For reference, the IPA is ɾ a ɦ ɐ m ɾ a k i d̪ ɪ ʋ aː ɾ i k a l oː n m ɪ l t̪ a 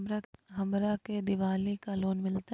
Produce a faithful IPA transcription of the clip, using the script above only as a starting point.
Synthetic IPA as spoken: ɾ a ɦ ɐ m ɾ a k e d̪ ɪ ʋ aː l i k a l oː n m ɪ l t̪ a